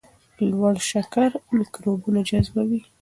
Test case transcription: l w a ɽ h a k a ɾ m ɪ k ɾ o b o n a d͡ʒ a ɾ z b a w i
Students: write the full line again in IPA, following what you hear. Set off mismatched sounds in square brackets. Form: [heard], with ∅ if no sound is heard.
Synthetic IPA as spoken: l w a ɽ [ʃ] a k a ɾ m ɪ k ɾ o b [u] n a d͡ʒ a [∅] z b a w i

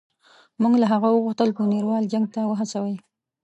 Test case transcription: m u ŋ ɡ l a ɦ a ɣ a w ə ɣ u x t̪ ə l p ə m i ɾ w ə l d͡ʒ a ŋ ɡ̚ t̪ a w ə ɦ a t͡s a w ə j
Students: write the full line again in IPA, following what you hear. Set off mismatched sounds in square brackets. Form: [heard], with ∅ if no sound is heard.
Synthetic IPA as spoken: m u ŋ ɡ l a ɦ a ɣ a w ə ɣ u x t̪ ə l p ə [n] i ɾ w [ɑ] l d͡ʒ a ŋ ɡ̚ t̪ a w ə ɦ a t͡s a w ə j

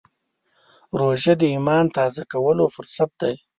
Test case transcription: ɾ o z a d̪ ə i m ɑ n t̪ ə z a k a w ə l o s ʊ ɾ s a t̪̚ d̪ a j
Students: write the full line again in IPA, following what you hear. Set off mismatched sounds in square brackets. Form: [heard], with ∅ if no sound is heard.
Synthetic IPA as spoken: ɾ o [ʒ] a d̪ ə i m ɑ n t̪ [ɑ] z a k a w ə l o [f] ʊ ɾ s a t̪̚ d̪ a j

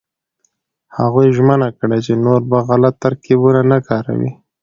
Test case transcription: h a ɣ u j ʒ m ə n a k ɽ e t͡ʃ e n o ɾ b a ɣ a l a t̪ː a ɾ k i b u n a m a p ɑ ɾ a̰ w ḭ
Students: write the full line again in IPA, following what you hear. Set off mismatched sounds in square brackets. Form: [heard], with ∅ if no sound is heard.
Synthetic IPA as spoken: h a ɣ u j ʒ m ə n a k ɽ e t͡ʃ e n o ɾ b a ɣ a l a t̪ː a ɾ k i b u n a [n] a [k] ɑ ɾ a̰ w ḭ

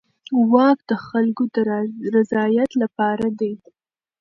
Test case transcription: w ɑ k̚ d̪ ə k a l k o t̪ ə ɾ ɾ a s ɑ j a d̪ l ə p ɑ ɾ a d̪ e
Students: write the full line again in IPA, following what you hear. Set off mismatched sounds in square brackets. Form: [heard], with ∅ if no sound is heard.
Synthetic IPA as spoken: w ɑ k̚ d̪ ə [x] a l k o [d̪] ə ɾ ɾ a [z] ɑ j a [t̪] l [a] p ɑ ɾ a d̪ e

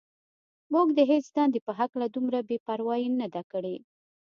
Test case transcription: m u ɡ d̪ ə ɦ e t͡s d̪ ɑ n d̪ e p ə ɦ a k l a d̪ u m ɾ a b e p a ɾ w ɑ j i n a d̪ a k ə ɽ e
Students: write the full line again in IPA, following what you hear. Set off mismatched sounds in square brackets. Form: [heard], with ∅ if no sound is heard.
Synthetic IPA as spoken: m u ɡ d̪ ə ɦ e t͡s d̪ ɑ n d̪ e p ə ɦ a k l a d̪ u m ɾ a b e p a ɾ w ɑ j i n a d̪ a k ə ɽ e

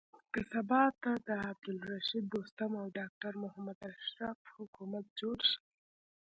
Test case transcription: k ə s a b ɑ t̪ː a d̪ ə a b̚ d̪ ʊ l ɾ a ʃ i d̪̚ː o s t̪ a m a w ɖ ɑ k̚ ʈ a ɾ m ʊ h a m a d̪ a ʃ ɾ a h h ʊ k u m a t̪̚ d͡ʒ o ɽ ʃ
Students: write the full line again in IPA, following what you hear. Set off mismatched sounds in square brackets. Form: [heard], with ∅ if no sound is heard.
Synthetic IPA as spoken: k ə s a b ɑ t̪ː a d̪ ə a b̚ d̪ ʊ l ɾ a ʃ i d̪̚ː o s t̪ a m a w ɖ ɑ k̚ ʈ a ɾ m ʊ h a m a d̪ a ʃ ɾ a [f] h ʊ k u m a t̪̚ d͡ʒ o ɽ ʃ

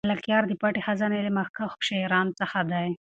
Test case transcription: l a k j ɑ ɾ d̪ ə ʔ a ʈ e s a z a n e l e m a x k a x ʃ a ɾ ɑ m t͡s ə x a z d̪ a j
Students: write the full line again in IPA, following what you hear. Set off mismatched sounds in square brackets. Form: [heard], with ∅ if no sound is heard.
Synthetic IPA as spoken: l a k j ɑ ɾ d̪ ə [p] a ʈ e [x] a z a n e l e m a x k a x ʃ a ɾ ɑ [n] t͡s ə x a [∅] d̪ a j

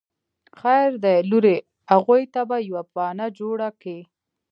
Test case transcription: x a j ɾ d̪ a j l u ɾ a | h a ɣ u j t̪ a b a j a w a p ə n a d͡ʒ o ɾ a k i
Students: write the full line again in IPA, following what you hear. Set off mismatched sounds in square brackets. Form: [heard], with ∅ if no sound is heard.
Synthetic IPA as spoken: x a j ɾ d̪ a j l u ɾ [e] | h a ɣ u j t̪ a b a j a w a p [ɑ] n a d͡ʒ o [ɽ] a k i

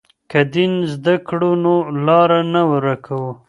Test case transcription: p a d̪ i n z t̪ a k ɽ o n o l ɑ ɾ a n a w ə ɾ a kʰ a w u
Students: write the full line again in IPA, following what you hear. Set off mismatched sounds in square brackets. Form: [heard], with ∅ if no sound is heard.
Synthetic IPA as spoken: [k] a d̪ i n z [d̪] a k ɽ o n o l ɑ ɾ a n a w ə ɾ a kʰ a w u

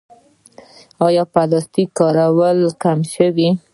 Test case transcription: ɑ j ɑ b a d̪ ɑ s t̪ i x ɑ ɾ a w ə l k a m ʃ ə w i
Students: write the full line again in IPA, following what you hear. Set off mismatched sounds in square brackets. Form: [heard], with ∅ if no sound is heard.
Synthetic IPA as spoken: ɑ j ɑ [p] a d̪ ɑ s t̪ i [k] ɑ ɾ a w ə l k a m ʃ ə w i

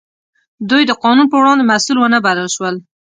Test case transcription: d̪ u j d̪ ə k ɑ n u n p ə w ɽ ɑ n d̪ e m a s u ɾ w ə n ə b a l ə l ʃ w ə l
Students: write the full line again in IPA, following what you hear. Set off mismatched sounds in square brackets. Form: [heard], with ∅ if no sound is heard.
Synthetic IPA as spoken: d̪ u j d̪ ə [q] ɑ n u n p ə w ɽ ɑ n d̪ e m a s u [l] w ə n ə b a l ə l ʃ w ə l

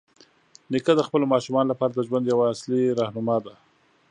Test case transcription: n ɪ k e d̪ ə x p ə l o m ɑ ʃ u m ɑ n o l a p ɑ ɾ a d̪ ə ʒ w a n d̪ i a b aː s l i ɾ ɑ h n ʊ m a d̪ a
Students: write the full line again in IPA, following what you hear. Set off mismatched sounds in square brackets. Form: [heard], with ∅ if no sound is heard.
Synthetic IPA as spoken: n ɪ k [a] d̪ ə x p ə l o m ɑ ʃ u m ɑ n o l a p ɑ ɾ a d̪ ə ʒ w a n d̪ [j] a [w] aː s l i ɾ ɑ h n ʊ m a d̪ a

